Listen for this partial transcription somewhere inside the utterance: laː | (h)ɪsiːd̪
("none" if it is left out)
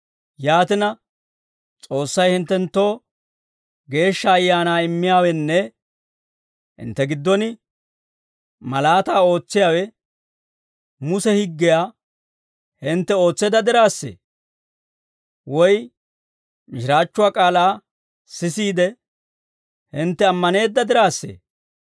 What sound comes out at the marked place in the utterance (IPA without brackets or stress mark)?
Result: s